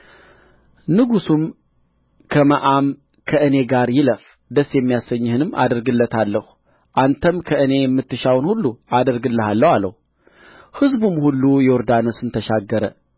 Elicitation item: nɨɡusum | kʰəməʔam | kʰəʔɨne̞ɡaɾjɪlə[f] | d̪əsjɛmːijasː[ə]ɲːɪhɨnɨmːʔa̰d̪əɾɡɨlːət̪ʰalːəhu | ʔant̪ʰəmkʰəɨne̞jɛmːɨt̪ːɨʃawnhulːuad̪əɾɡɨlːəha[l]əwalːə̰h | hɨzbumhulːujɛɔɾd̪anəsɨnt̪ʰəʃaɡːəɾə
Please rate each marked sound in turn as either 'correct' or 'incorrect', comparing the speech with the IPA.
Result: correct, correct, incorrect: lː

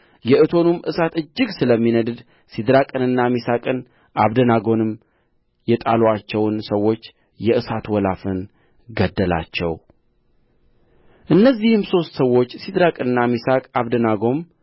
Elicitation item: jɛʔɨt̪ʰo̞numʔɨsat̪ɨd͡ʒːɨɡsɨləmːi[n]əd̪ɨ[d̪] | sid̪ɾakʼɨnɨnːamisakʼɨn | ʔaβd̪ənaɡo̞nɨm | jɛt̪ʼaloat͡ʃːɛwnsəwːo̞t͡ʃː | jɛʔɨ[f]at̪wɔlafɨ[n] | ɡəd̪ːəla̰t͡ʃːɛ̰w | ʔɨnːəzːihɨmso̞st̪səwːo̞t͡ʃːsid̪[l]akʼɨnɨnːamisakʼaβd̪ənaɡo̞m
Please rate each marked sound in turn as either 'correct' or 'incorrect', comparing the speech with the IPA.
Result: correct, correct, incorrect: s, correct, incorrect: ɾ

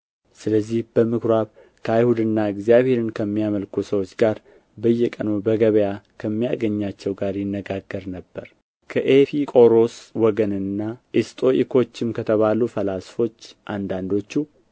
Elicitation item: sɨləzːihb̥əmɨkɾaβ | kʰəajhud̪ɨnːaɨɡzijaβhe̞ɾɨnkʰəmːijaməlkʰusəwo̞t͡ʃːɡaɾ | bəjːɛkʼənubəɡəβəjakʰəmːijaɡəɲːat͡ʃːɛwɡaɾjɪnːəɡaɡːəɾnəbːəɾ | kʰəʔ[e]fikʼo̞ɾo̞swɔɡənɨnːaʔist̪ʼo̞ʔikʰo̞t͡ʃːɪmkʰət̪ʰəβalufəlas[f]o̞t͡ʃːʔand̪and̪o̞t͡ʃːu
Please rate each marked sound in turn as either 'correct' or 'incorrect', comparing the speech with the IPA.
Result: correct, correct

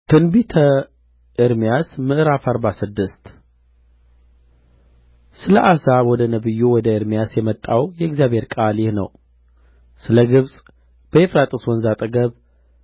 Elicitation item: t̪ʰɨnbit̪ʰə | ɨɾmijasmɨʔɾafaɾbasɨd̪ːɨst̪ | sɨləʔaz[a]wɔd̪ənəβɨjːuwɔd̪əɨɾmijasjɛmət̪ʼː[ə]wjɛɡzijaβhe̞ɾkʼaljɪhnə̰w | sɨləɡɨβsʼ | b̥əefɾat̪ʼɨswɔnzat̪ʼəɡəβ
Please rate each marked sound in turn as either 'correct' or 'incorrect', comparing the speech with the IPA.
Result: correct, incorrect: a

